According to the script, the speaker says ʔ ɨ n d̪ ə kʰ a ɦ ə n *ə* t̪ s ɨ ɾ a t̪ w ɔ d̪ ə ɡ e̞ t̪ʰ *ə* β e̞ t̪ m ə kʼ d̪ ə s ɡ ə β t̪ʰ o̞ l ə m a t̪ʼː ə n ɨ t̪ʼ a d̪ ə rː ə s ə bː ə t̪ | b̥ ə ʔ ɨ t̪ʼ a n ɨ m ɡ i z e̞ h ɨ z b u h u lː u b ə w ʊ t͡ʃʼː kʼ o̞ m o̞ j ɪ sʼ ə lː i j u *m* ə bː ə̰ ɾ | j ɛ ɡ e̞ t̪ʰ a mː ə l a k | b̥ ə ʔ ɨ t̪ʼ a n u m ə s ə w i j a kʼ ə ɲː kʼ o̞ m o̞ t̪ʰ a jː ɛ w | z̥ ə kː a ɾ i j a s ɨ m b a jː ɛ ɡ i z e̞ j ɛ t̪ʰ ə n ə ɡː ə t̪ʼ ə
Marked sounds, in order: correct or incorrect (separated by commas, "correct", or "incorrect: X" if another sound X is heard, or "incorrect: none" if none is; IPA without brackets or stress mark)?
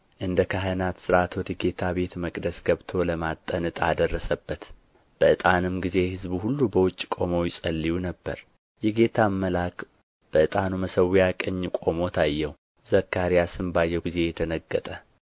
incorrect: a, incorrect: a, incorrect: n